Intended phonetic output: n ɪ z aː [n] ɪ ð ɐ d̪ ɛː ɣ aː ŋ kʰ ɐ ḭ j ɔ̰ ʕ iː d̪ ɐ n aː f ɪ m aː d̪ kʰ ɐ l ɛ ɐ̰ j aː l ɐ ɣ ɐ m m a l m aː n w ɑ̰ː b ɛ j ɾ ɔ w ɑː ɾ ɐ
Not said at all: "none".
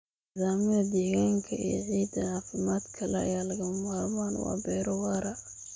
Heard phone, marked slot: m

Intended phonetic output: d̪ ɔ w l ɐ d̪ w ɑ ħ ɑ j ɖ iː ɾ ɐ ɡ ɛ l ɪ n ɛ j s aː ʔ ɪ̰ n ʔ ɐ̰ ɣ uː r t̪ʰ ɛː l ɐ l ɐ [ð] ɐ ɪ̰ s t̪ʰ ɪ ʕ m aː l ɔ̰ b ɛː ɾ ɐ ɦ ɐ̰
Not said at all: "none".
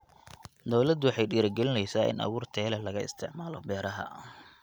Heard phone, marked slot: ɣ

